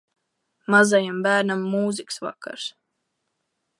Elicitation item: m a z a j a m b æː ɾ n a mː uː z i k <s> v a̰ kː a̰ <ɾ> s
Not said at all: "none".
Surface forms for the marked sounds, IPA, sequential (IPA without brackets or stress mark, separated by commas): s, ɾ